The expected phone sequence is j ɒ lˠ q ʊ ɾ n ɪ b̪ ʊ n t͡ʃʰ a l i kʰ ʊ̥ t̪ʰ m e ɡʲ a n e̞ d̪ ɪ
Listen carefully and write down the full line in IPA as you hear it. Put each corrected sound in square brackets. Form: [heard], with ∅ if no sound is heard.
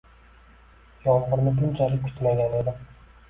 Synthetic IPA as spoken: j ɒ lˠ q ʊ ɾ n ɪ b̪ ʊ n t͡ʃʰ a l [ɪ] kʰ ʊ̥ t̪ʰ m [a] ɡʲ a n e̞ d̪ ɪ

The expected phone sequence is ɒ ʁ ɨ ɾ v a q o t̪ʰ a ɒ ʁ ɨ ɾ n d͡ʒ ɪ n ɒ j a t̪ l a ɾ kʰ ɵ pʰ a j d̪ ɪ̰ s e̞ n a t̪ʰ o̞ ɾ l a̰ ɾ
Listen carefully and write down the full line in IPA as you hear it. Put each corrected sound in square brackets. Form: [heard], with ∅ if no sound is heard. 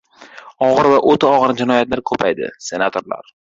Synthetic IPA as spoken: ɒ ʁ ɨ ɾ v a [ʔ] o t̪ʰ a ɒ ʁ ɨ ɾ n d͡ʒ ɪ n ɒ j a t̪ l a ɾ kʰ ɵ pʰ a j d̪ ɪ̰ s e̞ n a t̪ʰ o̞ ɾ l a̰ ɾ

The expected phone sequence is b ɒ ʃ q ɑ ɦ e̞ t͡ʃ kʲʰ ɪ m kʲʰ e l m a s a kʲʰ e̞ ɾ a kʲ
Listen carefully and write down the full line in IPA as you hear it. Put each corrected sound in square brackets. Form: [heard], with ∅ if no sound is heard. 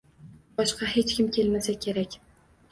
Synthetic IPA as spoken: b ɒ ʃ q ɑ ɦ e̞ t͡ʃ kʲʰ ɪ m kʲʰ e l m a s a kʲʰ e̞ ɾ a kʲ

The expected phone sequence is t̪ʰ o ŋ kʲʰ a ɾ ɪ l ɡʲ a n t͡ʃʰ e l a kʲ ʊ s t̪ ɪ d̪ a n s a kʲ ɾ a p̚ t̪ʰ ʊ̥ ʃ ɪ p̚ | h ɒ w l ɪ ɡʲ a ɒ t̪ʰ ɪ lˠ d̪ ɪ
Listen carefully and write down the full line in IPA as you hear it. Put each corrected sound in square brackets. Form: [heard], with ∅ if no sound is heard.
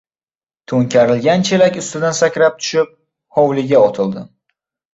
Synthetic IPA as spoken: t̪ʰ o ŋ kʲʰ a ɾ ɪ l ɡʲ a n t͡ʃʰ e l a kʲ ʊ s t̪ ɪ d̪ a n s a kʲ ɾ a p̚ t̪ʰ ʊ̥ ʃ ɪ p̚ | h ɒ w l ɪ ɡʲ a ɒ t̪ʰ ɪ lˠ d̪ ɪ

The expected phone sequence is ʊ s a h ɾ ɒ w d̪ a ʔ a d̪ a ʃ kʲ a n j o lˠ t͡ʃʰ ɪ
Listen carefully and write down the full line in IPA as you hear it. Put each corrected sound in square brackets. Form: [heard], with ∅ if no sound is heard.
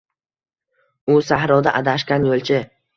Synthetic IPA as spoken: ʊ s a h ɾ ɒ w d̪ a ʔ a d̪ a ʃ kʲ a n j o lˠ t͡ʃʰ ɪ

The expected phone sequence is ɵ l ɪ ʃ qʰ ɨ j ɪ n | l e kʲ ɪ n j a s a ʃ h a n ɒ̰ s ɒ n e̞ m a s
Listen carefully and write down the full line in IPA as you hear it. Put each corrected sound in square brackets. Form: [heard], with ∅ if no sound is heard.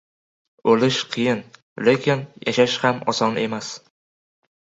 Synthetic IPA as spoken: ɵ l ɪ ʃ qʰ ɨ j ɪ n | l e kʲ ɪ n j a [ʃ] a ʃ h a [m] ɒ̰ s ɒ n e̞ m a s

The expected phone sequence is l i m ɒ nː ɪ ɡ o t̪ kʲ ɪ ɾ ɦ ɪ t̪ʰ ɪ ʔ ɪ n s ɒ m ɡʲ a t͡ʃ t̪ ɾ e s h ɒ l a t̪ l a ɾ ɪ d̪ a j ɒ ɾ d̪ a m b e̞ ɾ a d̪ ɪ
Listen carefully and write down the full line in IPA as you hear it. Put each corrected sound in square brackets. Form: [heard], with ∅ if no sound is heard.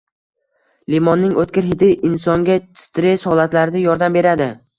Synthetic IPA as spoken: l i m ɒ nː ɪ [ŋ] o t̪ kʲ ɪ ɾ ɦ ɪ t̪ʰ ɪ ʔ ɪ n s ɒ [ŋ] ɡʲ a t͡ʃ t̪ ɾ e s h ɒ l a t̪ l a ɾ ɪ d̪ a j ɒ ɾ d̪ a m b e̞ ɾ a d̪ ɪ

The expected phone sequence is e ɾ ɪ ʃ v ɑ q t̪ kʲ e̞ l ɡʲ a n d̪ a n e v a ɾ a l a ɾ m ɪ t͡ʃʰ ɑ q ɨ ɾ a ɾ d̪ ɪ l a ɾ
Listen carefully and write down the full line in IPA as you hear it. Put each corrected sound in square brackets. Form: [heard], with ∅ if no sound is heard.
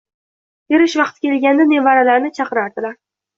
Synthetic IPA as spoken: e ɾ ɪ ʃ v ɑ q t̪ kʲ e̞ l ɡʲ a n d̪ a n e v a ɾ a l a ɾ [n] ɪ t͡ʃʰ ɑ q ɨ ɾ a ɾ d̪ ɪ l a ɾ

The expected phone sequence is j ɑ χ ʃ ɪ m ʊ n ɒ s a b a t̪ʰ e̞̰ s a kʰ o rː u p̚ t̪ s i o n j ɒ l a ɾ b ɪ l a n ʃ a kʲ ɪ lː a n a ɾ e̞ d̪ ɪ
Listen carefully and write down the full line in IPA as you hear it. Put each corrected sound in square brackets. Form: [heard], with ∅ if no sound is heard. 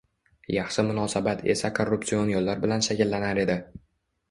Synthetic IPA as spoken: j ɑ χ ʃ ɪ m ʊ n ɒ s a b a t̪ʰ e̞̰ s a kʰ o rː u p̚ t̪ s i o n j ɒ [lː] a ɾ b ɪ l a n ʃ a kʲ ɪ lː a n a ɾ e̞ d̪ ɪ

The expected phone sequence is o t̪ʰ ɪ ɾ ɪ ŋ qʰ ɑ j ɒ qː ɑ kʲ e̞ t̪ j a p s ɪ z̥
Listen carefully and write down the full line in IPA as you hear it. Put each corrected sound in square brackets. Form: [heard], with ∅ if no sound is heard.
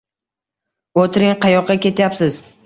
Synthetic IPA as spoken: o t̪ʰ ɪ ɾ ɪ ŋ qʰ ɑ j ɒ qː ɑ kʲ e̞ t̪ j a p s ɪ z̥

